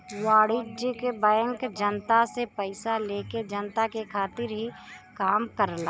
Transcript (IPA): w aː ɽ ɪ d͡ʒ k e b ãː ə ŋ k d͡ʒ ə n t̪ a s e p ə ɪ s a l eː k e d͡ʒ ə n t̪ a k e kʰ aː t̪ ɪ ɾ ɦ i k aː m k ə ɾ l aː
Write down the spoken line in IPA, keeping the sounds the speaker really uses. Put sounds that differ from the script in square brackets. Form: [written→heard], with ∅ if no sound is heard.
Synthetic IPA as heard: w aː ɽ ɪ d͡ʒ k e b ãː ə ŋ k d͡ʒ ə n t̪ a s e p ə ɪ s a l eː k e d͡ʒ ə n t̪ a k e kʰ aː t̪ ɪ ɾ ɦ i k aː m k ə ɾ l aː